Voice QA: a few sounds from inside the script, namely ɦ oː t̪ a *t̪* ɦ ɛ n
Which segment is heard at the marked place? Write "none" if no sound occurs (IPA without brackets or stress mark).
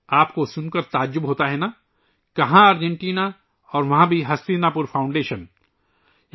none